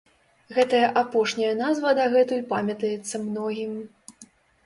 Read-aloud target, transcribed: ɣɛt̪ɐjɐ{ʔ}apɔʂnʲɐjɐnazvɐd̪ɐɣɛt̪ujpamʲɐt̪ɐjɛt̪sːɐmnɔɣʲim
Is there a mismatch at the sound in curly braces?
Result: no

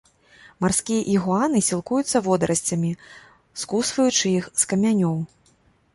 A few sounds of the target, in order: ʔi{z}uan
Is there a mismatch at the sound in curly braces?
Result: yes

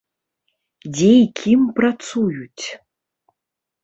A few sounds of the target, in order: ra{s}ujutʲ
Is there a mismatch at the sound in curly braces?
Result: no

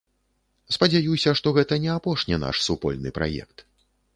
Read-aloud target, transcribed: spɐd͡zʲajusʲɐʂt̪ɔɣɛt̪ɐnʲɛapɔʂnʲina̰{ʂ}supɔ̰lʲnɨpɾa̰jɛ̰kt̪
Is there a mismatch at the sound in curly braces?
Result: no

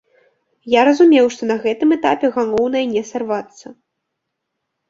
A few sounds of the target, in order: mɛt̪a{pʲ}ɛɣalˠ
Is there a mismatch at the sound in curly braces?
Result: no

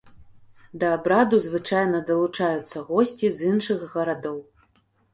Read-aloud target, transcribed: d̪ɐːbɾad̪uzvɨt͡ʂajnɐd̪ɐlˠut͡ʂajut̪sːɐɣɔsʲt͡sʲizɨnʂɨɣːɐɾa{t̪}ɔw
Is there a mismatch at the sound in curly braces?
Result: yes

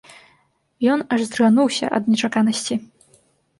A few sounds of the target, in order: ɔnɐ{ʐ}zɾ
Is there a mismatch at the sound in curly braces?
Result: no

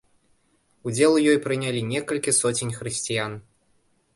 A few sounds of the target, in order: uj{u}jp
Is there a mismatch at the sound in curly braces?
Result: yes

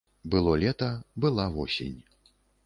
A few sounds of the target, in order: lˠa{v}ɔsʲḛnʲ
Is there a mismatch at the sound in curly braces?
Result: no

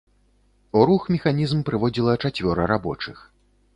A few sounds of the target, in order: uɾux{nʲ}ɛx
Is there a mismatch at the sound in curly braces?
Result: yes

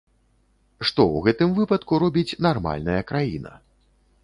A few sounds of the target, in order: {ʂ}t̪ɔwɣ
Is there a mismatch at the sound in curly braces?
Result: no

